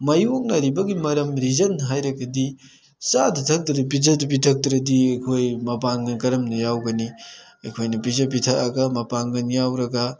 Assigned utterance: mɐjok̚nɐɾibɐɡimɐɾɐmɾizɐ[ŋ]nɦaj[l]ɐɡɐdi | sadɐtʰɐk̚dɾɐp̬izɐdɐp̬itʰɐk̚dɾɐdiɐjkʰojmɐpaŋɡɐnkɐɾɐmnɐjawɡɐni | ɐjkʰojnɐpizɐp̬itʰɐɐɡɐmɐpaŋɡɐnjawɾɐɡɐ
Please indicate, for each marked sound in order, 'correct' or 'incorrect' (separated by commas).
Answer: incorrect, incorrect